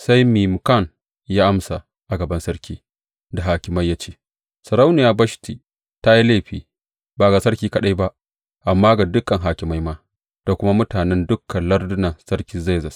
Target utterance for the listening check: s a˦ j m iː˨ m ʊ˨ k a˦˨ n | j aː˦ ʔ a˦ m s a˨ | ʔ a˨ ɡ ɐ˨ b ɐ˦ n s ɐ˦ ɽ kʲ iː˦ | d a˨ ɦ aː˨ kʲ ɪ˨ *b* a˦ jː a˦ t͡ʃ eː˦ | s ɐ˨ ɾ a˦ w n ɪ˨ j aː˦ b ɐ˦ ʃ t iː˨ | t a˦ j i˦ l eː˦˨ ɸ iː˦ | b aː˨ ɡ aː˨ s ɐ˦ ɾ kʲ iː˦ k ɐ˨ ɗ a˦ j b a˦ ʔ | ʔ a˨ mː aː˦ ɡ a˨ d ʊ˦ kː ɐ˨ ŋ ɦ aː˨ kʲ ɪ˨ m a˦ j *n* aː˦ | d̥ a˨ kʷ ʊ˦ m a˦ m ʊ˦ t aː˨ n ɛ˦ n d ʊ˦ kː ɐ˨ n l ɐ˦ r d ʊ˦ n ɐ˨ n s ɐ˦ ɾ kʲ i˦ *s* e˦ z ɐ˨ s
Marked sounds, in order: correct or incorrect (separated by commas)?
incorrect, incorrect, incorrect